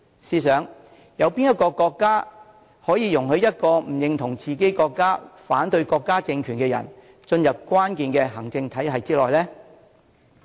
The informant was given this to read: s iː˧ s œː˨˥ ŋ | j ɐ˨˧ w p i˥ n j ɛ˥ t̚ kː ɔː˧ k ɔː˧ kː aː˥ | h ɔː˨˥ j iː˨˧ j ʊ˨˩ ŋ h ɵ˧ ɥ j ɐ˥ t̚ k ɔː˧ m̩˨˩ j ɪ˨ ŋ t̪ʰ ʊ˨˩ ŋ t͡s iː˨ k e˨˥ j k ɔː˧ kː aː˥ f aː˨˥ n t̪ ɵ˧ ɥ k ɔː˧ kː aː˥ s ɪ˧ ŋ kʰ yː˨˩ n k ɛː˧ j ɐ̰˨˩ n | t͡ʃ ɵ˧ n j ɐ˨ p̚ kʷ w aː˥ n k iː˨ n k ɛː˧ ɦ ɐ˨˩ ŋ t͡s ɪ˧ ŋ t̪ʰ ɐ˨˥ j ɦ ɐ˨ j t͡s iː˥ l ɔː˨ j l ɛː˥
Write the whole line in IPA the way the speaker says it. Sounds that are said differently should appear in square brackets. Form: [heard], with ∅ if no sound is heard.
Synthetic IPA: s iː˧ s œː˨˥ ŋ | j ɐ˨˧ w p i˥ n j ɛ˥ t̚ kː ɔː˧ k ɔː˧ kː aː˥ | h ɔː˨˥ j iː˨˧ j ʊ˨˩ ŋ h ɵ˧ ɥ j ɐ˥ t̚ k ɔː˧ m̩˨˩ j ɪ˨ ŋ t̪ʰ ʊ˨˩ ŋ t͡s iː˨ k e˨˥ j k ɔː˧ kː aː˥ f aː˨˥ n t̪ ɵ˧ ɥ k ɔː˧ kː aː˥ [t͡s] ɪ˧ ŋ kʰ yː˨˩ n k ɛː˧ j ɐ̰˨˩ n | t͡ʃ ɵ˧ n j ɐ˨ p̚ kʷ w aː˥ n k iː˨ n k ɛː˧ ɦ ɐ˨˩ ŋ t͡s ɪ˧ ŋ t̪ʰ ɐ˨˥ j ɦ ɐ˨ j t͡s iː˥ l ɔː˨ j l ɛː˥

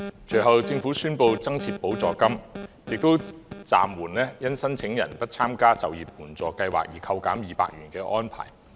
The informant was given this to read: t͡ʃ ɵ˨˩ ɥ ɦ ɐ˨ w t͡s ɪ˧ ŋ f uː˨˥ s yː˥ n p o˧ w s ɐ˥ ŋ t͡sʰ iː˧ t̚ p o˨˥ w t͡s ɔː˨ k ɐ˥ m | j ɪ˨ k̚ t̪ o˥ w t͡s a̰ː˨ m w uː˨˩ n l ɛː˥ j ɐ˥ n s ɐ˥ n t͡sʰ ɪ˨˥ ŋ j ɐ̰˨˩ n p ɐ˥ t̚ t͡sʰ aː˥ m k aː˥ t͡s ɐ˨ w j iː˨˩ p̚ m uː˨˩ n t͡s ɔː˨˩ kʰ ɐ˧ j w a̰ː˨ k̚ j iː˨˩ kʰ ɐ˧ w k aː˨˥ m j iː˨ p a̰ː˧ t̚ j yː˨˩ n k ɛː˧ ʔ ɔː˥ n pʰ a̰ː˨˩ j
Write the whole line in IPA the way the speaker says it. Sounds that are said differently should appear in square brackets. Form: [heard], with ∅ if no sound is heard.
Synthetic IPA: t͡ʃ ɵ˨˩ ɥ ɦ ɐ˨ w t͡s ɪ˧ ŋ f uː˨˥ s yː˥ n p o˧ w [t͡s] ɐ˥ ŋ t͡sʰ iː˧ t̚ p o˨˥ w t͡s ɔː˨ k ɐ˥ m | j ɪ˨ k̚ t̪ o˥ w t͡s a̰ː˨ m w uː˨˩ n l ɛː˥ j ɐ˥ n s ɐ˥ n t͡sʰ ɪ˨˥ ŋ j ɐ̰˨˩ n p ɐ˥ t̚ t͡sʰ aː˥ m k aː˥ t͡s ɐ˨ w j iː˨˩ p̚ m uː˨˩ n t͡s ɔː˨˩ [k] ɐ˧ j w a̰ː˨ k̚ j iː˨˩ kʰ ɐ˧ w k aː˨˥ m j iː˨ p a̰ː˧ [k̚] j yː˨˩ n k ɛː˧ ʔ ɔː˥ n pʰ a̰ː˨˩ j

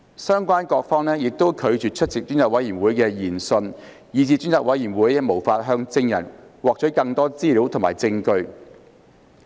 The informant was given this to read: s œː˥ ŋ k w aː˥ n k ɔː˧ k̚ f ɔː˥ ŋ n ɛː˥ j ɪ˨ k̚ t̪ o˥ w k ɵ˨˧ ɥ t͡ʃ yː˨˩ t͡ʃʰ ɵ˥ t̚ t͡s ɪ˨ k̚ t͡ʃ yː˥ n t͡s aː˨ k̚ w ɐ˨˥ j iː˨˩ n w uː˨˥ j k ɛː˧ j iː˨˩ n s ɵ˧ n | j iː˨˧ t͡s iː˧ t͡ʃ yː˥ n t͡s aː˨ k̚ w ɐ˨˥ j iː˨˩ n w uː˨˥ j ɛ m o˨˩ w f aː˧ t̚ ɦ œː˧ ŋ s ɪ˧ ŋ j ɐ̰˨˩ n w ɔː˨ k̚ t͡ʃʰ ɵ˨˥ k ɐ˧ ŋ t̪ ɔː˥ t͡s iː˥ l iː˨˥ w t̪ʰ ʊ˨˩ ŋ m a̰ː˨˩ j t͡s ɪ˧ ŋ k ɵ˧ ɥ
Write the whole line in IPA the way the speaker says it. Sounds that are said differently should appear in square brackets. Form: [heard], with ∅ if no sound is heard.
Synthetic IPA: s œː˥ ŋ k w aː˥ n k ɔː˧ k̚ f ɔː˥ ŋ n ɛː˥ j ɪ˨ k̚ t̪ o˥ w [kʰ] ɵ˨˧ ɥ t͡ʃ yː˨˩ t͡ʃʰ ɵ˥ t̚ t͡s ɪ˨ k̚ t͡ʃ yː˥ n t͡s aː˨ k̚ w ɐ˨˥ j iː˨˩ n w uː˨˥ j k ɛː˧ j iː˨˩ n s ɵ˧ n | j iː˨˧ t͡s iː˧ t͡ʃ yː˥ n t͡s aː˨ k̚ w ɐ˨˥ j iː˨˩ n w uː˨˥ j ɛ m o˨˩ w f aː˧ t̚ ɦ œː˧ ŋ [t͡s] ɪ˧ ŋ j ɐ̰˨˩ n w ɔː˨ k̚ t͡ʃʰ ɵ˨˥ k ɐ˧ ŋ t̪ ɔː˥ t͡s iː˥ l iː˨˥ w t̪ʰ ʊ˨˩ ŋ m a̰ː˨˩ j t͡s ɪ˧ ŋ k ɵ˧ ɥ

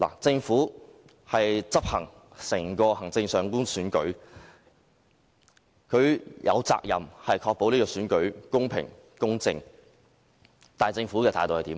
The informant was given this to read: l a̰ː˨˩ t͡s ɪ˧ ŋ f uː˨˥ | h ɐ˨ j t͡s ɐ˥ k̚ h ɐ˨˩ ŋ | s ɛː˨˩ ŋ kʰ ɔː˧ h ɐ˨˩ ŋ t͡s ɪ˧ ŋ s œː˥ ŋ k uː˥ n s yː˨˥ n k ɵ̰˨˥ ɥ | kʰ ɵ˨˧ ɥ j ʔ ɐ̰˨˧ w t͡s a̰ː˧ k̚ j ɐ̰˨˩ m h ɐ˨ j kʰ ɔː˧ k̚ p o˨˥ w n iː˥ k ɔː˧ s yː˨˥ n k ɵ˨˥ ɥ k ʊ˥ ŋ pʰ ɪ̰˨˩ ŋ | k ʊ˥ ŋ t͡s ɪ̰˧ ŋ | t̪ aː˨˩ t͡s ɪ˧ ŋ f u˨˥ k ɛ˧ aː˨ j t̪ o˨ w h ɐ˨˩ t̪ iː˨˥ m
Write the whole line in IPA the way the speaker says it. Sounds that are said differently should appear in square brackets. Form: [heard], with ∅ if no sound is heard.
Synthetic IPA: l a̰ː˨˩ t͡s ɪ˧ ŋ f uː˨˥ | h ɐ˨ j t͡s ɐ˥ [p̚] h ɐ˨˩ ŋ | s ɛː˨˩ ŋ [k] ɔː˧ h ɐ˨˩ ŋ t͡s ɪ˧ ŋ s [œː˨˩] ŋ k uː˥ n s yː˨˥ n k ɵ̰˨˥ ɥ | kʰ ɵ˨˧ ɥ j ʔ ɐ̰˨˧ w t͡s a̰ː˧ k̚ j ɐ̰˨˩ m h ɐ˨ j kʰ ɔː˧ k̚ p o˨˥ w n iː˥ k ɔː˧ s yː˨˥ n k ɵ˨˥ ɥ k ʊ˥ ŋ pʰ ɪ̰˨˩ ŋ | k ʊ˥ ŋ t͡s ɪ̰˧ ŋ | t̪ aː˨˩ t͡s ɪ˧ ŋ f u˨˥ k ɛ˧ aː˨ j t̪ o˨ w h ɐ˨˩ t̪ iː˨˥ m

